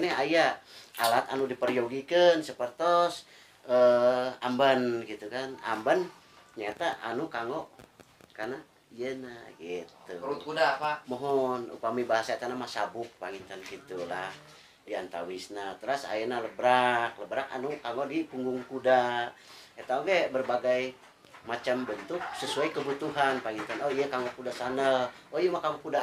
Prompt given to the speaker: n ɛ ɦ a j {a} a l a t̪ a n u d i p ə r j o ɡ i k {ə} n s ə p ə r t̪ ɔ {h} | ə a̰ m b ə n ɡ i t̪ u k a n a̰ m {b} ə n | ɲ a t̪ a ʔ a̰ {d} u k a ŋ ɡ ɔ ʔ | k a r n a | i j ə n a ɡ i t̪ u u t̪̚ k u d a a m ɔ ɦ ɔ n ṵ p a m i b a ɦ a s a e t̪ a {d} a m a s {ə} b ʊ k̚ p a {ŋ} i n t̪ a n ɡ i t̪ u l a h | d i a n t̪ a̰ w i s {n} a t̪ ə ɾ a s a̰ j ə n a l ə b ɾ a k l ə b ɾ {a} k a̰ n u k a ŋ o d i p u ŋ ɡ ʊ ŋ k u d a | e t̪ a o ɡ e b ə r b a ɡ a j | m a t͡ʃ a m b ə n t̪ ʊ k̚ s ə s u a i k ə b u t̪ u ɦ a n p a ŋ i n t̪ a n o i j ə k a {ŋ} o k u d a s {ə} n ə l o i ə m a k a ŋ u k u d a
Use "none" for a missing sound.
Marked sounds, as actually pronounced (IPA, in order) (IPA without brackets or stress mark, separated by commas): a, ə, s, b, n, n, a, ŋ, n, a, ŋ, a